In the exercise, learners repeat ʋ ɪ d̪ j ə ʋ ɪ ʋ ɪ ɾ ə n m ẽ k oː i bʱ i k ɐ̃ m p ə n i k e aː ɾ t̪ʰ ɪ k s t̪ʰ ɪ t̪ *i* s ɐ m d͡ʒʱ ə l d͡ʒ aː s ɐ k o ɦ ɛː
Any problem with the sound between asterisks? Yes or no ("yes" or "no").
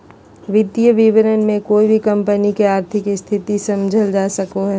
no